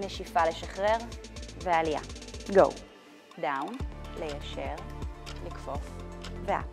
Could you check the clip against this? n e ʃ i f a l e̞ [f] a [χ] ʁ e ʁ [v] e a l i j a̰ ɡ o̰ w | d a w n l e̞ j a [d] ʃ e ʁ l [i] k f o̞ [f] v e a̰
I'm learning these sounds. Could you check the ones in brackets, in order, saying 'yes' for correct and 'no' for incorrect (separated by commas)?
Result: no, yes, yes, no, yes, yes